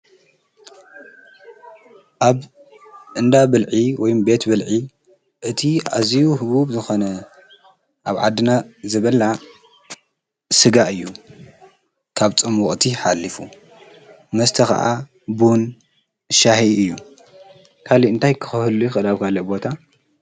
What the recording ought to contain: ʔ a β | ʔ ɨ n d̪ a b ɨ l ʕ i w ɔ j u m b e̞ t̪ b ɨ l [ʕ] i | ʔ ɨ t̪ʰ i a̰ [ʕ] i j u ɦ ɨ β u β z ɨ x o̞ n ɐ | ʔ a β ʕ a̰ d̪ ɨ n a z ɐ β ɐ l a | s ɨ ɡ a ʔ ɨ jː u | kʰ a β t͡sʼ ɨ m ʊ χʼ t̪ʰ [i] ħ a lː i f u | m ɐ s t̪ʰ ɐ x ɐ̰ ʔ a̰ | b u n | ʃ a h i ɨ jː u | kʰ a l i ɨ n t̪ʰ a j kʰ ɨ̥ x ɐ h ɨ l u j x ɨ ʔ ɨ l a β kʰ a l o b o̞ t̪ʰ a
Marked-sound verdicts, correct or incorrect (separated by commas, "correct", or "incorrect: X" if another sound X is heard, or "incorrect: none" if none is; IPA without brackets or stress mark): correct, incorrect: z, correct